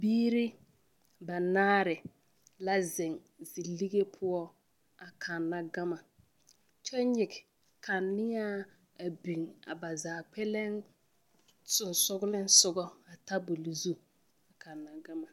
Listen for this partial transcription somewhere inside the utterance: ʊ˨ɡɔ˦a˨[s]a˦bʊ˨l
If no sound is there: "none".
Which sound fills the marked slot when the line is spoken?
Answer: t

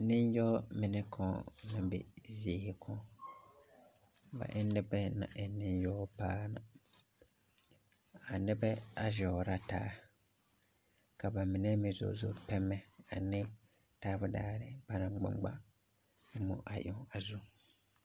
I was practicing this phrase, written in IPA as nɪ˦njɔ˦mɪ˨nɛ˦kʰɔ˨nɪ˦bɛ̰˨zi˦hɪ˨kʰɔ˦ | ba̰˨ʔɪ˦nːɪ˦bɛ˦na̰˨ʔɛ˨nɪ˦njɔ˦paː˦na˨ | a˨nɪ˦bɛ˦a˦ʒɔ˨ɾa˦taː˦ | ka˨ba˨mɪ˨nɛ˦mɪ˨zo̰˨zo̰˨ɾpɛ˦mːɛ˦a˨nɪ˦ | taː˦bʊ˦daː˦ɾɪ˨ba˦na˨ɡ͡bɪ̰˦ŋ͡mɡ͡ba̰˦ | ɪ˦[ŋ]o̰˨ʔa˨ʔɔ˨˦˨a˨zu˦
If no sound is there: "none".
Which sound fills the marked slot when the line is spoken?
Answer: m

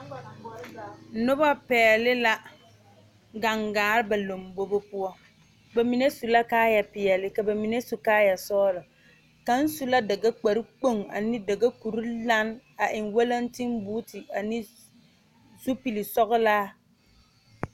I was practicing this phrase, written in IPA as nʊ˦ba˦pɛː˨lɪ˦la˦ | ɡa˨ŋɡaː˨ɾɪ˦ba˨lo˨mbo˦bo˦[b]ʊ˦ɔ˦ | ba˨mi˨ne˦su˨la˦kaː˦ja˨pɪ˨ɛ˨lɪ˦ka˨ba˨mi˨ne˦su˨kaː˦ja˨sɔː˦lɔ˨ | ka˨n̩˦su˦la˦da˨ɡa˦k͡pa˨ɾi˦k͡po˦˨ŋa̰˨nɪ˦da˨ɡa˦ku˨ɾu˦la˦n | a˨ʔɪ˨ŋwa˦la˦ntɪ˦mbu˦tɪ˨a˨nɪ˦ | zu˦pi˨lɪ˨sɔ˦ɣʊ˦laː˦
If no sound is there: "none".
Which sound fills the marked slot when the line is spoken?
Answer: p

